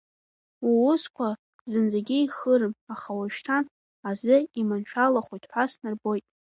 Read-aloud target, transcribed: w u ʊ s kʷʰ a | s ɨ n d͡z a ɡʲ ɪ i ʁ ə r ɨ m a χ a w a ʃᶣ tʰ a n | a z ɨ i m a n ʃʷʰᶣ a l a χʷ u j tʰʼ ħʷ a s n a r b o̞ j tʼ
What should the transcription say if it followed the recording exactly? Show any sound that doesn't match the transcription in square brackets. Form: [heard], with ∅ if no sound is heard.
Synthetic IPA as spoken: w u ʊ s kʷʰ a | [z] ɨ n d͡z a ɡʲ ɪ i [χ] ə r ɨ m a χ a w a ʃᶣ tʰ a n | a z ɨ i m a n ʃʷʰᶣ a l a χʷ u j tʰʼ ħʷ a s n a r b o̞ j tʼ